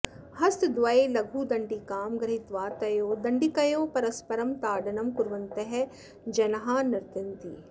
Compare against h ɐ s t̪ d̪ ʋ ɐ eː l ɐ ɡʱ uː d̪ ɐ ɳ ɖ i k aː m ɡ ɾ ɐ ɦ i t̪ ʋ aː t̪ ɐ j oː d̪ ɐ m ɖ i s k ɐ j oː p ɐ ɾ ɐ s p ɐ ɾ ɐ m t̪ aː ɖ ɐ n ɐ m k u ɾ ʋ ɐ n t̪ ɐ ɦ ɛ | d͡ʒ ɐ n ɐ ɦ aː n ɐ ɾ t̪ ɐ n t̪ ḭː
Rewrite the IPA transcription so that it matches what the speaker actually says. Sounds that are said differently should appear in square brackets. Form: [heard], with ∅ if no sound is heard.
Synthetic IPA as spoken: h ɐ s t̪ d̪ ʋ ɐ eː l ɐ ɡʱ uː d̪ ɐ ɳ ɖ i k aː m ɡ ɾ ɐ ɦ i t̪ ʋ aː t̪ ɐ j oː d̪ ɐ [ɳ] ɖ i [∅] k ɐ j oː p ɐ ɾ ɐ s p ɐ ɾ ɐ m t̪ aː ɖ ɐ n ɐ m k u ɾ ʋ ɐ n t̪ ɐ ɦ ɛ | d͡ʒ ɐ n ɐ ɦ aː n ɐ ɾ t̪ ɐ n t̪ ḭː